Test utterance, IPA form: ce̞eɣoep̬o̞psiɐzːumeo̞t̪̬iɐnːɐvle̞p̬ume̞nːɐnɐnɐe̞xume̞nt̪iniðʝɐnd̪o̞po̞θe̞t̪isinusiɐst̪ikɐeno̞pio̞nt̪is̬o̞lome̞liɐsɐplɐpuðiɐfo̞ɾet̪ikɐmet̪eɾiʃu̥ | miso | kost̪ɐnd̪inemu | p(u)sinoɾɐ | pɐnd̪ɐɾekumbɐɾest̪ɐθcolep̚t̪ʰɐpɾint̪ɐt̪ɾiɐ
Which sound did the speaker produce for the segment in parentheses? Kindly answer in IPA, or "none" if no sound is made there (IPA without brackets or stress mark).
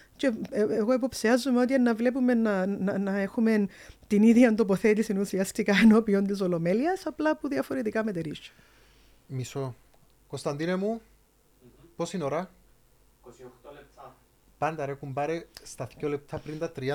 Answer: o